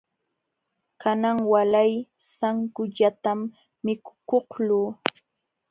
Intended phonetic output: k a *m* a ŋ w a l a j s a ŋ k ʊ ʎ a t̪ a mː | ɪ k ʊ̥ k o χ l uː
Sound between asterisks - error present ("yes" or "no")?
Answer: yes